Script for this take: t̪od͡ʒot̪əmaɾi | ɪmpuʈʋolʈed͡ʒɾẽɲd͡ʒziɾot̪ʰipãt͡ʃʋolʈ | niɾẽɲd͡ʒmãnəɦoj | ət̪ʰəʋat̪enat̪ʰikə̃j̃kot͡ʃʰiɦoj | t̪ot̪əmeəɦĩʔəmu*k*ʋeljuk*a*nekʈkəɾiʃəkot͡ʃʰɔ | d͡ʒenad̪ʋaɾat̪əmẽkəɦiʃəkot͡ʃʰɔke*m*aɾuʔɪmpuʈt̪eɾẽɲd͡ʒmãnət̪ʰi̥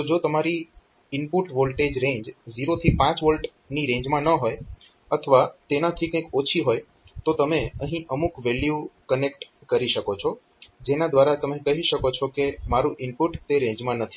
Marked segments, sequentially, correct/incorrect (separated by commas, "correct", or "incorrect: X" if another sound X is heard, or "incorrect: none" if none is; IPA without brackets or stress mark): correct, incorrect: ə, correct